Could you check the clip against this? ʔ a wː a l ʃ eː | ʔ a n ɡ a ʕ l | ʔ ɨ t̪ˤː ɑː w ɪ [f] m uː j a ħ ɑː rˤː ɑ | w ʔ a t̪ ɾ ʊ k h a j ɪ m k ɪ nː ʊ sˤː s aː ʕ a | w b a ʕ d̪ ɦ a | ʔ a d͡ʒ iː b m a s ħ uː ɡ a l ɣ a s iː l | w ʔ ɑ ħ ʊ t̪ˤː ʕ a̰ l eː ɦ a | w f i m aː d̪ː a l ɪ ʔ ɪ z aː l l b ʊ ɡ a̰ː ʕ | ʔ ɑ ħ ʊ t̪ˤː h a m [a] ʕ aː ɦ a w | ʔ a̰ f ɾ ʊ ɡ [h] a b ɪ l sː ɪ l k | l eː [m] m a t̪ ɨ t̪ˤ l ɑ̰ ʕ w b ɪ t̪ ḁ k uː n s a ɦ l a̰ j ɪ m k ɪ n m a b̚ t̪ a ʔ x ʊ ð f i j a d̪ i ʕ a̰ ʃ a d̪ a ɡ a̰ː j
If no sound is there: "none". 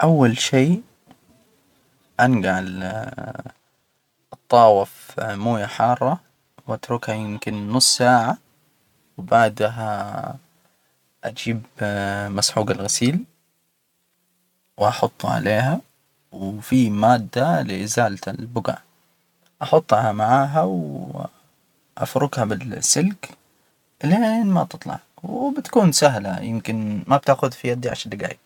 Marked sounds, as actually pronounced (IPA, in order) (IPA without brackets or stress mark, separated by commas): f, a, h, n